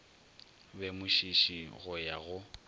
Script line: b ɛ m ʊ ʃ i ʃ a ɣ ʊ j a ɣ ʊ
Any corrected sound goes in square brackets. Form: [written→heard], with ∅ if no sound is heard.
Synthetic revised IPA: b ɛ m ʊ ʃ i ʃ [a→i] ɣ ʊ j a ɣ ʊ